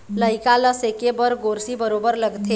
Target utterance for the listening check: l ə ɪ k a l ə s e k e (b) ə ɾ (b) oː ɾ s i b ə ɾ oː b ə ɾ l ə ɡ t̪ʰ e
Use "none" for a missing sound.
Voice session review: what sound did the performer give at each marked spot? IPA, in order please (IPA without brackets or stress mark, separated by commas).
b, ɡ